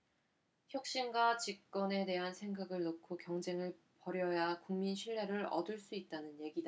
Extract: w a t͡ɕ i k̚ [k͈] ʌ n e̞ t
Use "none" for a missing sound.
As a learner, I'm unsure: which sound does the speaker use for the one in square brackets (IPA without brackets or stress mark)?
k͈